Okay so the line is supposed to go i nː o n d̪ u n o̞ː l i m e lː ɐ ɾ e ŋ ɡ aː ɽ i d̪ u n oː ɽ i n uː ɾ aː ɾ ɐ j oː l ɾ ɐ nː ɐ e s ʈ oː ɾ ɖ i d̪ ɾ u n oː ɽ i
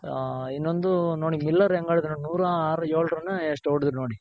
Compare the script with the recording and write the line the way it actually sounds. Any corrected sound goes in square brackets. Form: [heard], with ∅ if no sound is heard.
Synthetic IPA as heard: i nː o n d̪ u n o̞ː [ɽ] i m [i] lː ɐ ɾ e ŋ ɡ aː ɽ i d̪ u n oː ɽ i n uː ɾ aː ɾ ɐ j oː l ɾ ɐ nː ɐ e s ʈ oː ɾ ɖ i d̪ ɾ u n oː ɽ i